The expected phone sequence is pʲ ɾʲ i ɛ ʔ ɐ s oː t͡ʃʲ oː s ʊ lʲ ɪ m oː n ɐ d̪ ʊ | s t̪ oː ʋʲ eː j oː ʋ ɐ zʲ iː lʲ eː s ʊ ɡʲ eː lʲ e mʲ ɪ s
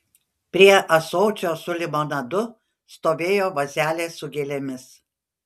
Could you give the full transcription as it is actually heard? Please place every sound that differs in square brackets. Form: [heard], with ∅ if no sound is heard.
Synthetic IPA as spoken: pʲ ɾʲ i ɛ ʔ ɐ s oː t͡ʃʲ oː s ʊ lʲ ɪ m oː n ɐ d̪ ʊ | s t̪ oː ʋʲ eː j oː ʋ ɐ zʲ [æː] lʲ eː s ʊ ɡʲ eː lʲ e mʲ ɪ s